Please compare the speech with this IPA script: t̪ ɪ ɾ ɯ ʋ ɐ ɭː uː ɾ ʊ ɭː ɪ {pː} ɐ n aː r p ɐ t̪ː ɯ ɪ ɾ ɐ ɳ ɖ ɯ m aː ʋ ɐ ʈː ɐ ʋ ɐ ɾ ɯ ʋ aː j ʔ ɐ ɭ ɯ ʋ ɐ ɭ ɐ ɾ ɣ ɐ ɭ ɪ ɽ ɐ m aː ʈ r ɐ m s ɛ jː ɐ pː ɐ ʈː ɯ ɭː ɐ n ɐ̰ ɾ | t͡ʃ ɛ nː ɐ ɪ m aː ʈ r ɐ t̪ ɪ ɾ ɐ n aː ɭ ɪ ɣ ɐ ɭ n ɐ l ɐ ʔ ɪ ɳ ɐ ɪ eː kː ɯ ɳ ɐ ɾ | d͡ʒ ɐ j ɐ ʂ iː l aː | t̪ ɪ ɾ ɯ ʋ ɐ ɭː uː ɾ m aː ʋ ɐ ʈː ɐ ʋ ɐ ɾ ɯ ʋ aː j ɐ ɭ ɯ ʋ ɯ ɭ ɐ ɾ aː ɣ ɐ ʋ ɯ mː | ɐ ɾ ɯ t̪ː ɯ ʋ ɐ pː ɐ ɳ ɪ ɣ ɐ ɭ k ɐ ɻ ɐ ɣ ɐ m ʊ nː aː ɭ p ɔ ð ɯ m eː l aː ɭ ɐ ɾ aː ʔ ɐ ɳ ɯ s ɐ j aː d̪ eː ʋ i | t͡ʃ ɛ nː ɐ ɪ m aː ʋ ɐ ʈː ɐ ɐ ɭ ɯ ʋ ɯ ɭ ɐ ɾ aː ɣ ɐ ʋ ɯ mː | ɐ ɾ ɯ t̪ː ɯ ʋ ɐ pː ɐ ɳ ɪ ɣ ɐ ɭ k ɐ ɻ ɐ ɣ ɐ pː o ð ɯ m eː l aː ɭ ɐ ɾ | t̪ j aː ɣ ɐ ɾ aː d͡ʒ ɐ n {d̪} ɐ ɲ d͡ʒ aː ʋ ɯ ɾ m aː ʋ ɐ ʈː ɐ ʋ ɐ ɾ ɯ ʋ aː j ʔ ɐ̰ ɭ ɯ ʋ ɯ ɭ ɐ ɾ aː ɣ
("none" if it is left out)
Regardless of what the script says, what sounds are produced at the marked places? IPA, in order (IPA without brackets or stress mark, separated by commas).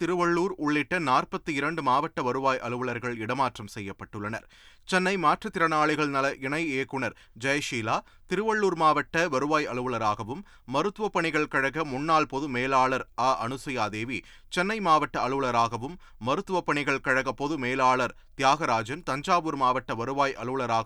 ʈː, t̪